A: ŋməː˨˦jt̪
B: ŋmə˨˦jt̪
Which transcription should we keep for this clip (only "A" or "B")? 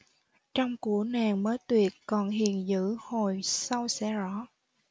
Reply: A